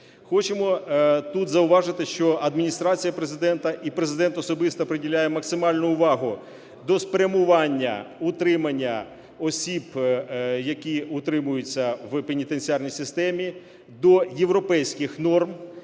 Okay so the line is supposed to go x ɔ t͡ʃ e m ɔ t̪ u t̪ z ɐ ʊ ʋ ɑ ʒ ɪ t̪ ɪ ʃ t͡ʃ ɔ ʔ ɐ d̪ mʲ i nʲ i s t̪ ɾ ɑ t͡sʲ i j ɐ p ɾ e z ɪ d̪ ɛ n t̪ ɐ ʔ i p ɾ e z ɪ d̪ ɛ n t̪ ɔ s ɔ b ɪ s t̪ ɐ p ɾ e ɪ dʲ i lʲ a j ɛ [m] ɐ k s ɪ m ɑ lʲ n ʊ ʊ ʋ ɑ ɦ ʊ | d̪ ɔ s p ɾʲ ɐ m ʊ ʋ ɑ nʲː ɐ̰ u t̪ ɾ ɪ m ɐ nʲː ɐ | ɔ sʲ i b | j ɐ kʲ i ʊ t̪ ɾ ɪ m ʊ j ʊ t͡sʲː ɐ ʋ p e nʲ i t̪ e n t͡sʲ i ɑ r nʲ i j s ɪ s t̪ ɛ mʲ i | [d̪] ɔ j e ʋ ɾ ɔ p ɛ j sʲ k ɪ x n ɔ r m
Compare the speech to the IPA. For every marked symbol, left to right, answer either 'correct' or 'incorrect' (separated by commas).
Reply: correct, correct